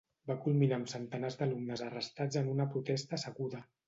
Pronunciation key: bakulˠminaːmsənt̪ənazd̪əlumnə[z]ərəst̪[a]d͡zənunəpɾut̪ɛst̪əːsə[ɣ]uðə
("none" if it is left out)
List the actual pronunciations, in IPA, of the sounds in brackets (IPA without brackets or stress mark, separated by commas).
z, a, ɣ